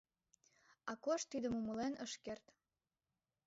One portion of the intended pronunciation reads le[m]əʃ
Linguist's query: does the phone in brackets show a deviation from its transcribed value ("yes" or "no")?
yes